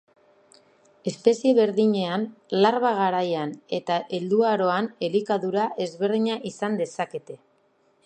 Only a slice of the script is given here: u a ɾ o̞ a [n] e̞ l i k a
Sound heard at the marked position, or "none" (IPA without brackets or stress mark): n